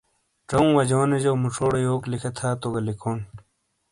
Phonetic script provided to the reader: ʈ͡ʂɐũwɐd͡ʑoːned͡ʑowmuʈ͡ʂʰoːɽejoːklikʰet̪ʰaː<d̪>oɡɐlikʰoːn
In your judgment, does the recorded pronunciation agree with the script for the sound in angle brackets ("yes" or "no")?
no